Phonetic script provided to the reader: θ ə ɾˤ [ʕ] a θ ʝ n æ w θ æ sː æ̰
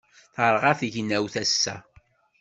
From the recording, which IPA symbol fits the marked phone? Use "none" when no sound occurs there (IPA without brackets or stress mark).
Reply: ʁ